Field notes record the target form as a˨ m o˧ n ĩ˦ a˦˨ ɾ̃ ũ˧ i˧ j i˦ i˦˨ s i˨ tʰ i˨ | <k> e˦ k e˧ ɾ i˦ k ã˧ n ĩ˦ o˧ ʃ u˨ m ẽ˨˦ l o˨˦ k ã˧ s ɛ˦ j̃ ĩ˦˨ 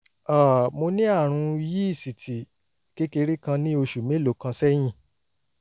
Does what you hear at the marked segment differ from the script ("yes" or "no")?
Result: no